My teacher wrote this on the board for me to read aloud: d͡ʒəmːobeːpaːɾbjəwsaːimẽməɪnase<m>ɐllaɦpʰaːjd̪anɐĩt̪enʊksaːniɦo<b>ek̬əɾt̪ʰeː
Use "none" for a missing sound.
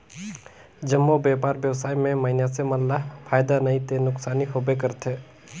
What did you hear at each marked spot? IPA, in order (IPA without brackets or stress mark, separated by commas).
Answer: m, b